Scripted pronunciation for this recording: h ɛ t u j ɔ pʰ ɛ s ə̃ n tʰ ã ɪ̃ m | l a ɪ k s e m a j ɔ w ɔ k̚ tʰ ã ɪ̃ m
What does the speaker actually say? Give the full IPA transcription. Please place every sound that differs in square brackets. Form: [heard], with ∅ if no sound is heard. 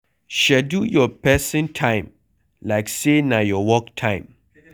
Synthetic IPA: [ʃ] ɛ [d] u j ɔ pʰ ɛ s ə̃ n tʰ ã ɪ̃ m | l a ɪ k s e [n] a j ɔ w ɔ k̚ tʰ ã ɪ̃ m